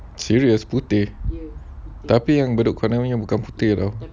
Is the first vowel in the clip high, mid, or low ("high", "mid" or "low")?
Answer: high